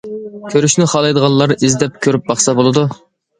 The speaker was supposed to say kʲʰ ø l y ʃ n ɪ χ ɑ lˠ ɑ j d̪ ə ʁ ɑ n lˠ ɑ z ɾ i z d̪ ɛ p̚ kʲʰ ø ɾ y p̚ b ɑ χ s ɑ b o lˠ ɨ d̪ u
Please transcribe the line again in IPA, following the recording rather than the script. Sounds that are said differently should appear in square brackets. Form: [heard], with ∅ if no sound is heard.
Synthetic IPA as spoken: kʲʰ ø [ɾ] y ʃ n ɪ χ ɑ lˠ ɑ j d̪ ə ʁ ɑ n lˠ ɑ [∅] ɾ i z d̪ ɛ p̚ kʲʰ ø ɾ y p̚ b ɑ χ s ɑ b o lˠ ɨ d̪ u